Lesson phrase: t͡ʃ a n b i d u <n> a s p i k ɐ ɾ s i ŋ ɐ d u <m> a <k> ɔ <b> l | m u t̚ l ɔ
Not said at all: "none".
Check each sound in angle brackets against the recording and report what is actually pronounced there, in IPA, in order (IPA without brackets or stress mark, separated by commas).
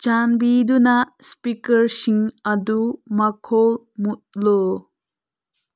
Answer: n, m, kʰ, none